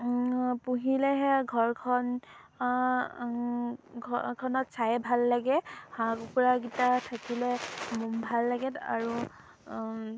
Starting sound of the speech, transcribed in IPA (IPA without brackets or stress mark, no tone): p